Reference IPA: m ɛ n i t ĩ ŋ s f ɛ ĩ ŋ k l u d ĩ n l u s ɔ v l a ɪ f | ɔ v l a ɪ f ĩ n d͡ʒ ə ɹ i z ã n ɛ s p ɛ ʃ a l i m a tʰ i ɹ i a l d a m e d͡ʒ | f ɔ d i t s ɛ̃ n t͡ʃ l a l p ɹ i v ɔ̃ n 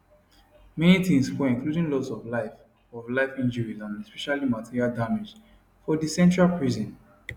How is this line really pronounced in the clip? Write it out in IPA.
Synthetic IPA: m ɛ n i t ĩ ŋ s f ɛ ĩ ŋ k l u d ĩ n l ɔ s ɔ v l a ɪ f | ɔ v l a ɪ f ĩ n d͡ʒ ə ɹ i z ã n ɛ s p ɛ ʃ a l i m a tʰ i ɹ i a l d a m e d͡ʒ | f ɔ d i s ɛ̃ n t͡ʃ ɹ a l p ɹ i z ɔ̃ n

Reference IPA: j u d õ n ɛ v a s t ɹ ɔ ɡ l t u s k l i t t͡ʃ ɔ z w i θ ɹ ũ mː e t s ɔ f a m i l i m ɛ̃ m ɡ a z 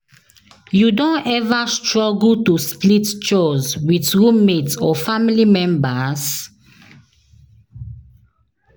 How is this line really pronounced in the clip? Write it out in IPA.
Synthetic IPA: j u d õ n ɛ v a s t ɹ ɔ ɡ l t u s p l i t t͡ʃ ɔ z w i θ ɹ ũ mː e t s ɔ f a m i l i m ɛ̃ m b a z

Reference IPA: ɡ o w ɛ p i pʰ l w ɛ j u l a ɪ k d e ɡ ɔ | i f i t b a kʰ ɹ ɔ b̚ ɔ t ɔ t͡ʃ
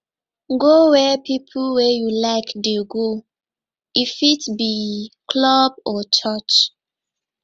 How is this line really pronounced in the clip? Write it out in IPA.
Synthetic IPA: ɡ o w ɛ p i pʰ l w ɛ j u l a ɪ k d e ɡ o | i f i t b i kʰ l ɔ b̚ ɔ t͡ʃ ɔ t͡ʃ

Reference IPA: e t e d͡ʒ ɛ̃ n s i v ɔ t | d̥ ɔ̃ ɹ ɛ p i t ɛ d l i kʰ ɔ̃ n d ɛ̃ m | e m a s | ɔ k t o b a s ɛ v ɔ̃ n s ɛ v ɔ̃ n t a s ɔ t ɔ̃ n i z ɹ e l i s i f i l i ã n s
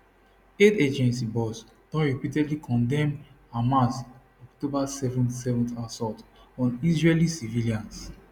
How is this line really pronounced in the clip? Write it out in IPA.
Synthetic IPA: e t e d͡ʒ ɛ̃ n s i b ɔ s | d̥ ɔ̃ ɹ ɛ p i t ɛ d l i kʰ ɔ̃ n d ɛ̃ m | a m a s | ɔ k t o b a s ɛ v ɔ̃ n s ɛ v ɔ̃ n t a s ɔ t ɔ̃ n i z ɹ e l i s i v i l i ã n s

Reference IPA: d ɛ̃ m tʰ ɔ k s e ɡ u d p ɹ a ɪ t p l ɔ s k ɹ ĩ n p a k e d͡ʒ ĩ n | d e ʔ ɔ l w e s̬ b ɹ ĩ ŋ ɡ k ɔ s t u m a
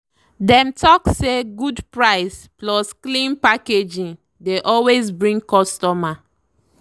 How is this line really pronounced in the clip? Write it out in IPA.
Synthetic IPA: d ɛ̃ m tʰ ɔ k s e ɡ u d p ɹ a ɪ s p l ɔ s k l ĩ n p a k e d͡ʒ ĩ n | d e ʔ ɔ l w e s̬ b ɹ ĩ ŋ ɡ k ɔ s t ɔ m a

